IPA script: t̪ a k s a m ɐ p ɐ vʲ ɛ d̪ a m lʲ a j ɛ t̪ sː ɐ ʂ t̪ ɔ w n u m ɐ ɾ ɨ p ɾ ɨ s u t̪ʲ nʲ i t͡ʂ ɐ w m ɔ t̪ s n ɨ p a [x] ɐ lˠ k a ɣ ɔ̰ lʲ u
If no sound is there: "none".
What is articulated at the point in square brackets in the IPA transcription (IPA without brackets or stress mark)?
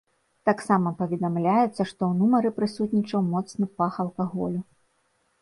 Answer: x